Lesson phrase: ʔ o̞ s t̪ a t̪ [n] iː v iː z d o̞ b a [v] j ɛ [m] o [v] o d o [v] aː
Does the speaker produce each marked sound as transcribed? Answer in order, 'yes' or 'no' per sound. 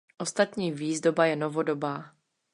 no, no, no, yes, no

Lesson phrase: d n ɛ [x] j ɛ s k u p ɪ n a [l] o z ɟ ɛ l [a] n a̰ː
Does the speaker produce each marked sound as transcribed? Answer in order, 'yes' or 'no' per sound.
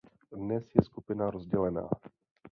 no, no, no

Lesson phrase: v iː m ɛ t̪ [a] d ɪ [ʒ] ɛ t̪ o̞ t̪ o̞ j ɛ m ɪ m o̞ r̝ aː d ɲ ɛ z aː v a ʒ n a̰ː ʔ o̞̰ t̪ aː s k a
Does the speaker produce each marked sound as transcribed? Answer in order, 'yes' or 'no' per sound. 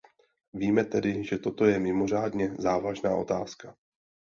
no, yes

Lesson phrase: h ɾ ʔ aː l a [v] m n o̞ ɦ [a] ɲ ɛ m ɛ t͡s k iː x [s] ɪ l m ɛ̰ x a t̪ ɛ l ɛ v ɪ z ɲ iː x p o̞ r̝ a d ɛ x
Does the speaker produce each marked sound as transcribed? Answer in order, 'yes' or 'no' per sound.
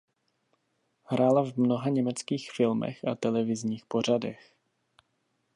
yes, yes, no

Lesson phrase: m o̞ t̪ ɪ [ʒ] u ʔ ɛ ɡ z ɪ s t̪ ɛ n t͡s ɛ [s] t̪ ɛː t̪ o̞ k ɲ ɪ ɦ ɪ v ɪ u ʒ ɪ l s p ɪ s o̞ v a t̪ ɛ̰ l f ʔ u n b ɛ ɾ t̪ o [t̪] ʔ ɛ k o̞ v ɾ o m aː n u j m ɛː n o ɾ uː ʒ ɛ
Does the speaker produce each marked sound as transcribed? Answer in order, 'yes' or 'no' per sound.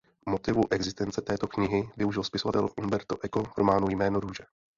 no, no, no

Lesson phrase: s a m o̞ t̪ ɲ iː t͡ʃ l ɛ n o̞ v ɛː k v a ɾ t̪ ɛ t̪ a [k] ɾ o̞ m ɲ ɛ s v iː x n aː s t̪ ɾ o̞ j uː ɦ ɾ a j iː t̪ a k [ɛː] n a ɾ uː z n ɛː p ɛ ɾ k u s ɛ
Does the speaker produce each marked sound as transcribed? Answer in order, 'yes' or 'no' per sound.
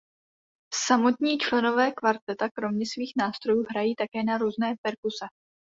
yes, yes

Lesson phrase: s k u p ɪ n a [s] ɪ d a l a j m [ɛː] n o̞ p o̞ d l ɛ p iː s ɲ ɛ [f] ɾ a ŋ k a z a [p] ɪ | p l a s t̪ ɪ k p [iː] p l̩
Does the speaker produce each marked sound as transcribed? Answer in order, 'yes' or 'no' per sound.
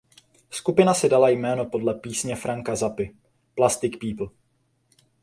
yes, yes, yes, yes, yes

